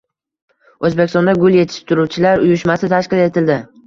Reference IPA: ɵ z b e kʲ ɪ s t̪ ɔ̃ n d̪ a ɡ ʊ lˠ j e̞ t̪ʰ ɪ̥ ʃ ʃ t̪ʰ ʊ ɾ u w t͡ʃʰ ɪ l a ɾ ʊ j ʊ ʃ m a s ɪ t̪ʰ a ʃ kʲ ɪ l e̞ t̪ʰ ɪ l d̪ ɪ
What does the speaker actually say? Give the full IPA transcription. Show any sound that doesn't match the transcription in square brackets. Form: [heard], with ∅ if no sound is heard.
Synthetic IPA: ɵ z b e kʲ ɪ s t̪ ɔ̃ n d̪ a ɡ ʊ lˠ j e̞ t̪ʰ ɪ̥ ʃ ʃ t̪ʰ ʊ ɾ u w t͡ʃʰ ɪ l a ɾ ʊ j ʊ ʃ m a s ɪ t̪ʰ a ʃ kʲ ɪ l e̞ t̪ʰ ɪ l d̪ ɪ